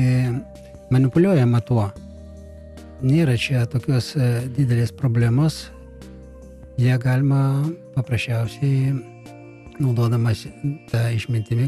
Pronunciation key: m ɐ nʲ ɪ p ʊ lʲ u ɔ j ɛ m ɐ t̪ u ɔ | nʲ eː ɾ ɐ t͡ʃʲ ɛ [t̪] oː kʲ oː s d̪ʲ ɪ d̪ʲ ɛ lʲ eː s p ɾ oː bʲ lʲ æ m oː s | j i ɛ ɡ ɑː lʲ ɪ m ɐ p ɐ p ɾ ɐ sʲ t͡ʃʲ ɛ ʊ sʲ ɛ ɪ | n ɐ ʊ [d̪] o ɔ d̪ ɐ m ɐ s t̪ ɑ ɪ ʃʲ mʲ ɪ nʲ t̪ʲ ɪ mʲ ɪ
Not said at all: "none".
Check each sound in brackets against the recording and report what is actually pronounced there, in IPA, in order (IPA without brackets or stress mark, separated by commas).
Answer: t̪, d̪